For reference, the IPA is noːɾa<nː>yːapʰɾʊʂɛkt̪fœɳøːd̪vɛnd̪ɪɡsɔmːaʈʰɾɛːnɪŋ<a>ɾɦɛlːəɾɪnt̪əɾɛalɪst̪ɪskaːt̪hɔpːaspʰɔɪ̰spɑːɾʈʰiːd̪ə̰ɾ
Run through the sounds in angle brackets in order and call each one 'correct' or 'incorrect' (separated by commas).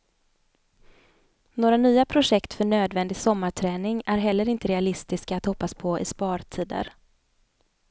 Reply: incorrect, incorrect